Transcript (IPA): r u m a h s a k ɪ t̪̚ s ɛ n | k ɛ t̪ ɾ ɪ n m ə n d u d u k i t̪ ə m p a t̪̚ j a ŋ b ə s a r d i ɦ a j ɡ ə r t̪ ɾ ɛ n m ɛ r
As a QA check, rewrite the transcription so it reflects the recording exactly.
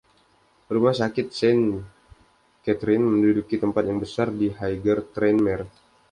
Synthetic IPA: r u m a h s a k ɪ t̪̚ s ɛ n | k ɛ t̪ ɾ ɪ n m ə n d u d u k i t̪ ə m p a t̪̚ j a ŋ b ə s a r d i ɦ a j ɡ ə r t̪ ɾ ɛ n m ɛ r